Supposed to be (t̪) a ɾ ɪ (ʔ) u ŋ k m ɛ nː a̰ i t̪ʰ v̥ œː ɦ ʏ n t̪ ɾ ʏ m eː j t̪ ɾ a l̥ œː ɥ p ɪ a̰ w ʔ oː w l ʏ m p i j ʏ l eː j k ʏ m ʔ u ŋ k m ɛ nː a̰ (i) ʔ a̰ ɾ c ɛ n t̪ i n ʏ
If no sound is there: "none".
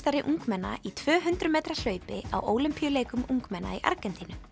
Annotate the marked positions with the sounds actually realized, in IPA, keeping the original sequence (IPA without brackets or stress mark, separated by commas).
t̪, ʔ, i